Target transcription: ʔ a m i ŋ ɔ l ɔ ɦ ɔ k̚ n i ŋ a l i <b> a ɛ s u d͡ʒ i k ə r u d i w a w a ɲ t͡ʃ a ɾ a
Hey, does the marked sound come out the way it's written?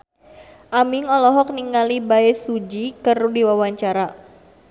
yes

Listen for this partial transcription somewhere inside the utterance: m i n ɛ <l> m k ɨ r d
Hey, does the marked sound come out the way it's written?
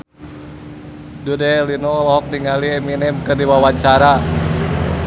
no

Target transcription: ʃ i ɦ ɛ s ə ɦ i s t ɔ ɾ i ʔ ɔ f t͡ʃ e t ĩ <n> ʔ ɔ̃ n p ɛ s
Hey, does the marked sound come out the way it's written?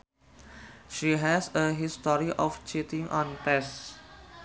no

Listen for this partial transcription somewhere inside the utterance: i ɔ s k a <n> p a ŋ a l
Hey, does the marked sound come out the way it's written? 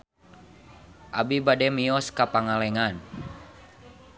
no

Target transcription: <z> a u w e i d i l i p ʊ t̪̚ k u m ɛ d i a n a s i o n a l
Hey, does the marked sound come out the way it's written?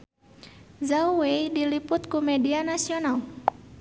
yes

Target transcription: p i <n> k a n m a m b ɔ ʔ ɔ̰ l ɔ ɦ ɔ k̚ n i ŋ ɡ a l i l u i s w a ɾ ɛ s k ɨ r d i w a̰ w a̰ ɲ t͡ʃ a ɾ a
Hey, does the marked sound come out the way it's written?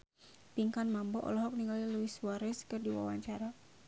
no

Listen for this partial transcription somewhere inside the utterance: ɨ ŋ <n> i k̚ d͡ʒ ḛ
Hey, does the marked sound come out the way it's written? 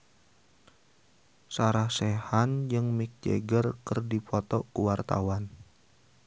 no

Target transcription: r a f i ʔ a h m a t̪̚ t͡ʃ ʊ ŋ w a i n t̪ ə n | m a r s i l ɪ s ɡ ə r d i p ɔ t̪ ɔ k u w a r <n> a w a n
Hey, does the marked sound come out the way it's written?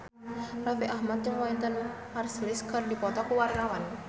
yes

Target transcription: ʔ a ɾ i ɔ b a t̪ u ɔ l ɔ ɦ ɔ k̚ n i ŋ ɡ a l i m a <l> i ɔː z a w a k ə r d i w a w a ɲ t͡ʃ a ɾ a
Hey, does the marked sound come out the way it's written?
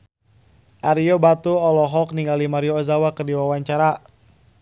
no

